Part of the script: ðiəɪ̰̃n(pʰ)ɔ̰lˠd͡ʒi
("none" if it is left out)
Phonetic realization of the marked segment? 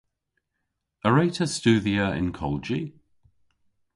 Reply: kʰ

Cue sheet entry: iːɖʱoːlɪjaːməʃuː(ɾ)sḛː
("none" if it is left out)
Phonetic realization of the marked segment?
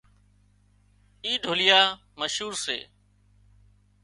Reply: ɾ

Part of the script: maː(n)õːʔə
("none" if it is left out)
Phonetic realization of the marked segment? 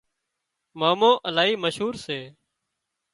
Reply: m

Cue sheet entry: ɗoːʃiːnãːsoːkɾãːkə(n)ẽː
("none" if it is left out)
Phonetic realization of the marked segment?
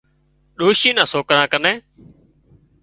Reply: n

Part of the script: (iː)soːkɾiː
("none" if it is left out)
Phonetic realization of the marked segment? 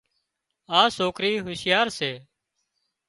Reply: aː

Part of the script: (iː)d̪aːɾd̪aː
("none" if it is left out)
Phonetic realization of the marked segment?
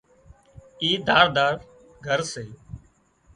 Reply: iː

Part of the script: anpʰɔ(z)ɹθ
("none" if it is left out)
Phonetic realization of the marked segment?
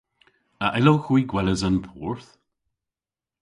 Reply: none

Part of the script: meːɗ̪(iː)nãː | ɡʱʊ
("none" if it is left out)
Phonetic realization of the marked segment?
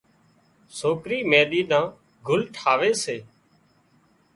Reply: iː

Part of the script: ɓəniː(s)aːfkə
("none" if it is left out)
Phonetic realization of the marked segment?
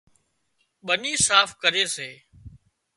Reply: s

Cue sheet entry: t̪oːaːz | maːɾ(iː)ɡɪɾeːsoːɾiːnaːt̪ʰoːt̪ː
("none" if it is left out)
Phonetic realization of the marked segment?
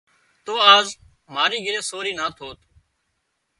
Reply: iː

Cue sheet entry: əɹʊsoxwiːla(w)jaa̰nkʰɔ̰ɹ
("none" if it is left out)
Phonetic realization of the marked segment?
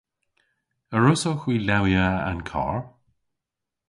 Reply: w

